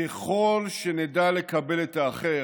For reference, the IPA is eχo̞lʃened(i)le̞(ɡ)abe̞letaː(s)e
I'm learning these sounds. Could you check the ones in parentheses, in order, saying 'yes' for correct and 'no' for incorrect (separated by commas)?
no, no, no